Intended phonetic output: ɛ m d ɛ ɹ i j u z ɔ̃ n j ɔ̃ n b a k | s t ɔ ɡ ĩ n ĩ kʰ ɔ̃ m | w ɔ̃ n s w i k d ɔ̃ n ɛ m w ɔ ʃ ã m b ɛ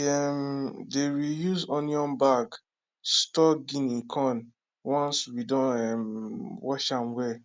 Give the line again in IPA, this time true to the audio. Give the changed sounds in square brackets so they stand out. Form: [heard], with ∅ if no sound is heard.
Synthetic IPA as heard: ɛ m d [e] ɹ i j u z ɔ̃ n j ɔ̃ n b a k | s t ɔ ɡ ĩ n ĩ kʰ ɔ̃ [n] | w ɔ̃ n s w i [∅] d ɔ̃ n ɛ m w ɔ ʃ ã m [w] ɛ